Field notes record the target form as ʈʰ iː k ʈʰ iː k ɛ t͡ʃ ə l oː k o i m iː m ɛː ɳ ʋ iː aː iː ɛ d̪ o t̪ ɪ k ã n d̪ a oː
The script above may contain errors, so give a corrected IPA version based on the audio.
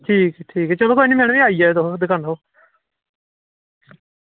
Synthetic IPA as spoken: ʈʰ iː k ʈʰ iː k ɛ t͡ʃ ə l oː k o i n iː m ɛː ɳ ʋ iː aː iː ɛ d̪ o d̪ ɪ k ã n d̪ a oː